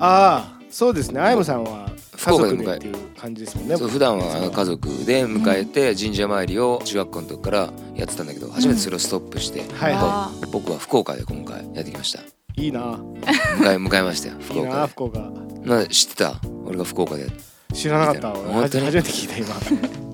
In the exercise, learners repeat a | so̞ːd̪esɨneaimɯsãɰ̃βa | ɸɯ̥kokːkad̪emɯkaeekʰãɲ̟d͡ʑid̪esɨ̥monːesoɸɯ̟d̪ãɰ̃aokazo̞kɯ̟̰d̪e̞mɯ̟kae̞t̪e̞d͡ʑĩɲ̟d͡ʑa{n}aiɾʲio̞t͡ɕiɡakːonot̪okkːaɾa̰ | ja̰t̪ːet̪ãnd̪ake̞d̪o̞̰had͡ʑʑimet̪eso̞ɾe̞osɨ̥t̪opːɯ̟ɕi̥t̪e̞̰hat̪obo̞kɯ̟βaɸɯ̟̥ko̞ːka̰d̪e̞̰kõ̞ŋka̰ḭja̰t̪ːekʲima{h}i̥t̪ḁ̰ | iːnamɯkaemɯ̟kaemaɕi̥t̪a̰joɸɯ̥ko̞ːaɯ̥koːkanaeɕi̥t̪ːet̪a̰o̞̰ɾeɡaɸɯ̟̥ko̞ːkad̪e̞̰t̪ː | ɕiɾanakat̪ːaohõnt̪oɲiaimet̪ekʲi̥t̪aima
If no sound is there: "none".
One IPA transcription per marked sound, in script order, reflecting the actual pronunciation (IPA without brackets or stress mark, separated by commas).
m, ɕ